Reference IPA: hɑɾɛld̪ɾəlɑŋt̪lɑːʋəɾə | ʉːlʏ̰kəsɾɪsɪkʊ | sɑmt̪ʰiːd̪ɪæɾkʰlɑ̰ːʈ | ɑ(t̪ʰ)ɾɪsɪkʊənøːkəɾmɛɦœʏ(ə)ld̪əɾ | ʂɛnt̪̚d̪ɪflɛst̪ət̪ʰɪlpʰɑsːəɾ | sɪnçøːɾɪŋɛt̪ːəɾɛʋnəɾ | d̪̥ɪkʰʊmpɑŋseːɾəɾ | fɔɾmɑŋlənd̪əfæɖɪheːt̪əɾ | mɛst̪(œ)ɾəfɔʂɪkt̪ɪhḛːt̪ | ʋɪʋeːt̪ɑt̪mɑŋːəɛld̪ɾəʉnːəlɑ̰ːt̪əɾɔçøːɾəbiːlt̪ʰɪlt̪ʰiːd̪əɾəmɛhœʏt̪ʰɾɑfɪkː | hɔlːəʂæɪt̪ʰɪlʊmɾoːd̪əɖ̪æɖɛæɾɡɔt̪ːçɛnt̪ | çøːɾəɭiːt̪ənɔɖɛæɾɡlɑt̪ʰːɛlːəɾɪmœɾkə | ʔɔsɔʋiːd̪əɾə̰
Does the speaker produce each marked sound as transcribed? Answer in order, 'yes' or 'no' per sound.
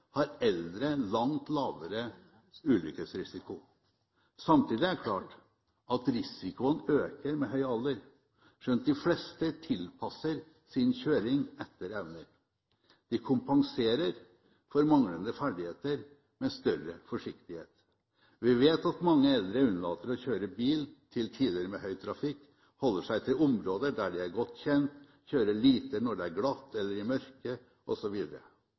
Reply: no, no, yes

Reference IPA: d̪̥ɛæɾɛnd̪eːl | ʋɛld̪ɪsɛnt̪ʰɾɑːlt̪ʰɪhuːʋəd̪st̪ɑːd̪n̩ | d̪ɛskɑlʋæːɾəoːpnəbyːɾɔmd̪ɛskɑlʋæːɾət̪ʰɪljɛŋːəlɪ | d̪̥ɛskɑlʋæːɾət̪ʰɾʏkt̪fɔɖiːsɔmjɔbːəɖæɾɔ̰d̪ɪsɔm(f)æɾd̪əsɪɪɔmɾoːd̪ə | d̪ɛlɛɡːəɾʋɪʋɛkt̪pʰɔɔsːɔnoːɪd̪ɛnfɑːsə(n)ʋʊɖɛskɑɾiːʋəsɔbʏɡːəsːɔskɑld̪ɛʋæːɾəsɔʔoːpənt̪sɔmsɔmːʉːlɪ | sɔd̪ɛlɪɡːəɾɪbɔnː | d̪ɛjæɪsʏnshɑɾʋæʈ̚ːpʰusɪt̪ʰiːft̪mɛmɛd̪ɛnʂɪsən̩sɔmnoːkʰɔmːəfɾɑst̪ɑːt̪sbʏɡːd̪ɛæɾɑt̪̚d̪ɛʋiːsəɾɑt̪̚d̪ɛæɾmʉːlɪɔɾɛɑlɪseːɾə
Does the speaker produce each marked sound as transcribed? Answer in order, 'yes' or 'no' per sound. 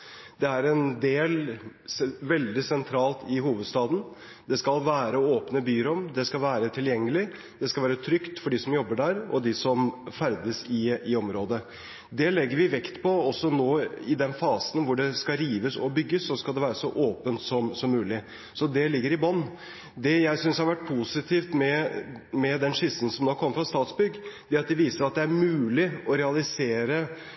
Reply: yes, yes

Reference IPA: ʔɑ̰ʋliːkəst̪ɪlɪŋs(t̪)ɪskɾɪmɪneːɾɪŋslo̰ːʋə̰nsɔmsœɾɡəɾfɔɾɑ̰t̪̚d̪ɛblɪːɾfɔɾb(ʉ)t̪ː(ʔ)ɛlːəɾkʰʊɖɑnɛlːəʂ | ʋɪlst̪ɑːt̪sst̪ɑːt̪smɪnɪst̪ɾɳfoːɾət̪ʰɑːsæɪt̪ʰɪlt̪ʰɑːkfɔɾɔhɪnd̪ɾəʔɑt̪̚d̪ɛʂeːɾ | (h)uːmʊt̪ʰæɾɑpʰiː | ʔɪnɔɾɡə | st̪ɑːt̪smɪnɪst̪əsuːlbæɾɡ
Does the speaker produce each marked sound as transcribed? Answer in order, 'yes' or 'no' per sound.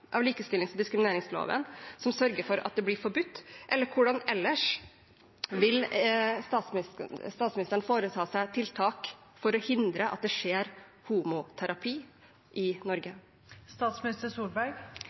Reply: no, yes, yes, yes

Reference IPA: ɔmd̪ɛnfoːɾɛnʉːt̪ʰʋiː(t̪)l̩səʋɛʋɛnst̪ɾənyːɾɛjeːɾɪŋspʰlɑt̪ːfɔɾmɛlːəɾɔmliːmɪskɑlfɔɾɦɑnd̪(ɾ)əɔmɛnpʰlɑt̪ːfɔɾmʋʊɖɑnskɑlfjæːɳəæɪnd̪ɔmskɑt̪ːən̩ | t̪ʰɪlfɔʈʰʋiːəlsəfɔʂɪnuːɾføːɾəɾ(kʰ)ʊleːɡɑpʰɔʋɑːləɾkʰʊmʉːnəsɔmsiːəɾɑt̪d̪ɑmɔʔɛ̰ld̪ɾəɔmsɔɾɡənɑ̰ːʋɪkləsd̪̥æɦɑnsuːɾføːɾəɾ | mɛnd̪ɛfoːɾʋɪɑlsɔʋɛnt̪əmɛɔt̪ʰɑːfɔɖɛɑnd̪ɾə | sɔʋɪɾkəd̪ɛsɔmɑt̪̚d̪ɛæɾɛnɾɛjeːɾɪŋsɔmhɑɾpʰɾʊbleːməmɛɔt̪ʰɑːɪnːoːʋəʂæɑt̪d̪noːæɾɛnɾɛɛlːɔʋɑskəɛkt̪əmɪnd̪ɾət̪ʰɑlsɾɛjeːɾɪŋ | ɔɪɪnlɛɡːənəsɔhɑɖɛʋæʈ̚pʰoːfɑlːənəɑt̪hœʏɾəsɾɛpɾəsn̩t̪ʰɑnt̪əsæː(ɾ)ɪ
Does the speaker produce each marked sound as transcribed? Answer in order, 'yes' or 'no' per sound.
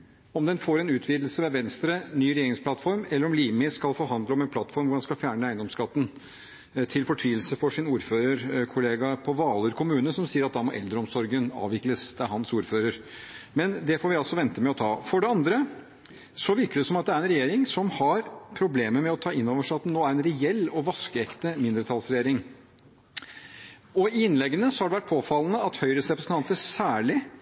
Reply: no, no, yes, no

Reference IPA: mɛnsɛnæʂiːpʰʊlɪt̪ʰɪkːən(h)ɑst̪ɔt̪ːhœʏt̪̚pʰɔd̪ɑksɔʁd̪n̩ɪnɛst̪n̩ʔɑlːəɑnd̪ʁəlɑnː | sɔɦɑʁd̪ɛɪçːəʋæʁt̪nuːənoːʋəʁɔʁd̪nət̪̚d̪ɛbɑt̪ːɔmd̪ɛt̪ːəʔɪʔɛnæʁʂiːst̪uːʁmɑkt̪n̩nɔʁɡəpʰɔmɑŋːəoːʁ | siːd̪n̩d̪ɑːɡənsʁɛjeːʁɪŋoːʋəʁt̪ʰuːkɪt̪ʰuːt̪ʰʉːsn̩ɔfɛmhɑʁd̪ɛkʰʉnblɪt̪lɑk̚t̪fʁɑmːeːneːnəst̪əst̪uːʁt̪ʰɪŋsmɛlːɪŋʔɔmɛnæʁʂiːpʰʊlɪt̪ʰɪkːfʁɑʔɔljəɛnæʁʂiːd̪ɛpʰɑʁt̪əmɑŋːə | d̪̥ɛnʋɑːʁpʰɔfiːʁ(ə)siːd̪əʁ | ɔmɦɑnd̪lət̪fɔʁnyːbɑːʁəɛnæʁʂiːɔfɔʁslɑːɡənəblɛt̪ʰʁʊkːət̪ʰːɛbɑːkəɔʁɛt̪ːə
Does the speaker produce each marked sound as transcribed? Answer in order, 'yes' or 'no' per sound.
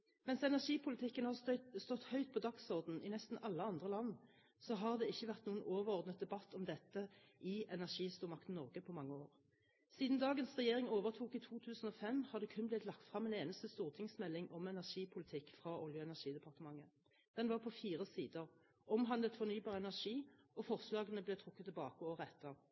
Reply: yes, yes

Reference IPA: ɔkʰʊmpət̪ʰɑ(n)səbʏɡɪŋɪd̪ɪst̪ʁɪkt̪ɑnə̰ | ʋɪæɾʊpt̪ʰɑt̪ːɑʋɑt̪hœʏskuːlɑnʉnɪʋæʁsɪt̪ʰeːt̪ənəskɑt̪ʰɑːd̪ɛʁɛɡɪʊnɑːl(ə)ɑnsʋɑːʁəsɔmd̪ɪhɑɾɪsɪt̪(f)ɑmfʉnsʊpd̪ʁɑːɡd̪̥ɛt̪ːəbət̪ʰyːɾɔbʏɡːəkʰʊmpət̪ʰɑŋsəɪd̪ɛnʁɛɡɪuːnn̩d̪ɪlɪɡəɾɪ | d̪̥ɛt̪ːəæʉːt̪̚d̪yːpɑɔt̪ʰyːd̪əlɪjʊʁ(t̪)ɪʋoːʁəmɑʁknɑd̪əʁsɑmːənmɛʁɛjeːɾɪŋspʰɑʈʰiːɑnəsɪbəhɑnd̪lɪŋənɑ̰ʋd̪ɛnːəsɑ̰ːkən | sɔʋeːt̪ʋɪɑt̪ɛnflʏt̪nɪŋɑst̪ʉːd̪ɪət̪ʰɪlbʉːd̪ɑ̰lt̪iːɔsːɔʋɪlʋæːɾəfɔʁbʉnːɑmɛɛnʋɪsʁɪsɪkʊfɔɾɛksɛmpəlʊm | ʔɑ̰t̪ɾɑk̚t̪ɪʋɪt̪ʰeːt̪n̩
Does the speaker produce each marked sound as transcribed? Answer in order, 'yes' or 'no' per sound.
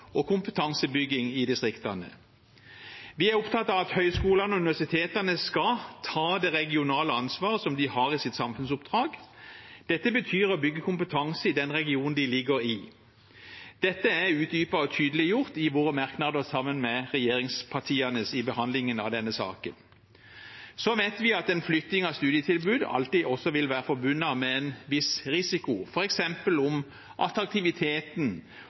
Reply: no, yes, no, yes

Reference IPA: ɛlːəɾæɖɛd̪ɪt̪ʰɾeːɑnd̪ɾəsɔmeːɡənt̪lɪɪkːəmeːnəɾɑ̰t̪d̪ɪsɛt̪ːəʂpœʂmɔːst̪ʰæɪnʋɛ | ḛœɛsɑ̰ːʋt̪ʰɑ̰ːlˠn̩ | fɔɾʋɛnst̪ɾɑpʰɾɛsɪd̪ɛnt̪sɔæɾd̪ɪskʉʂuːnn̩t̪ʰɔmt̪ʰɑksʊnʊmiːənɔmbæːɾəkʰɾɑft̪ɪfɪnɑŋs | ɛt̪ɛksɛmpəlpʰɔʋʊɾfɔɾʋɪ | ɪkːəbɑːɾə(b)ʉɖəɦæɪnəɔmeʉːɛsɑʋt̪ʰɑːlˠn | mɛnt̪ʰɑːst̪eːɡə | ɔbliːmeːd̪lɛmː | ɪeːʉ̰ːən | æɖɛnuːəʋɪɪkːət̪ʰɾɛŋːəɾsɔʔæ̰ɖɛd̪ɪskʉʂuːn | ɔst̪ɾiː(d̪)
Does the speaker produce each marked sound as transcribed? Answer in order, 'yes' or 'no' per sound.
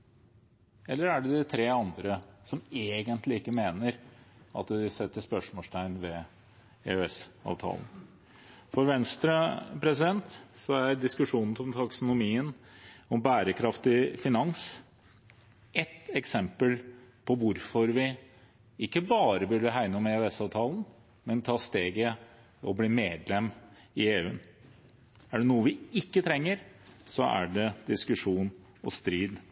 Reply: yes, yes

